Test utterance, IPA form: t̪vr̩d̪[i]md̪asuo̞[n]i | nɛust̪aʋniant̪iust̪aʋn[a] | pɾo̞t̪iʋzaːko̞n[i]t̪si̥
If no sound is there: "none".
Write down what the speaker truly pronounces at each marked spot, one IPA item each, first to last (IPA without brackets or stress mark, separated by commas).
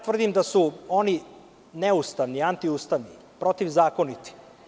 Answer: i, n, i, i